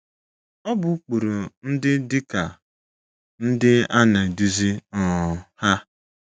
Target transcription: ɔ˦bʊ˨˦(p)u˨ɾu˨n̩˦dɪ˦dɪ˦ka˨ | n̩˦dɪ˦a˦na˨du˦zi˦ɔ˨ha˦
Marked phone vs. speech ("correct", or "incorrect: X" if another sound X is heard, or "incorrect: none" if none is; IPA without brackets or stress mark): incorrect: k͡p